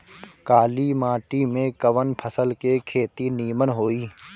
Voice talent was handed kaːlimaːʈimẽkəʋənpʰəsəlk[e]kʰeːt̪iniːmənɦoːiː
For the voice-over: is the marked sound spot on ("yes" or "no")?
yes